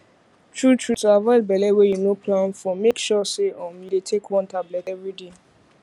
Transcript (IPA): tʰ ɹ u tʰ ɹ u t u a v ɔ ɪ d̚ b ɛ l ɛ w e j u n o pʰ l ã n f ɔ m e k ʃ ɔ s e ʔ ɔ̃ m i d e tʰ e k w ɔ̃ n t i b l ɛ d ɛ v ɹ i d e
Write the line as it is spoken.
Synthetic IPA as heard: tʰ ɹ u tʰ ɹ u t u a v ɔ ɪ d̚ b ɛ l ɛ w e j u n o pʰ l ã n f ɔ m e k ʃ ɔ s e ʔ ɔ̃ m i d e tʰ e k w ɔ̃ n t a b l ɛ t ɛ v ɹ i d e